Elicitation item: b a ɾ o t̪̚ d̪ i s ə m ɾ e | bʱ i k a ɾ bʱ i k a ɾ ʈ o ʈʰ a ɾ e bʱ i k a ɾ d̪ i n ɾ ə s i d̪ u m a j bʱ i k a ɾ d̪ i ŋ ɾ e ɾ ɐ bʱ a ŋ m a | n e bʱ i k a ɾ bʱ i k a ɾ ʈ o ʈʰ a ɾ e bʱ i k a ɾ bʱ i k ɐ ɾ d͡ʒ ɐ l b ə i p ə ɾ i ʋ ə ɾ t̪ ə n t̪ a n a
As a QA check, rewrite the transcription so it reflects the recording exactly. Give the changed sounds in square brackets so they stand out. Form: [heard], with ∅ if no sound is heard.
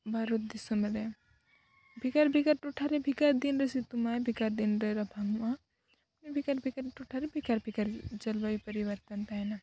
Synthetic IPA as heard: b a ɾ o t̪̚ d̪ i s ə m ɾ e | bʱ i k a ɾ bʱ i k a ɾ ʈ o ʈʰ a ɾ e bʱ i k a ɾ d̪ i n ɾ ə s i [t̪] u m a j bʱ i k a ɾ d̪ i [n] ɾ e ɾ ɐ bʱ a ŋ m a | n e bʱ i k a ɾ bʱ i k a ɾ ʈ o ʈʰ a ɾ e bʱ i k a ɾ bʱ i k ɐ ɾ d͡ʒ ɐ l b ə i p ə ɾ i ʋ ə ɾ t̪ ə n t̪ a n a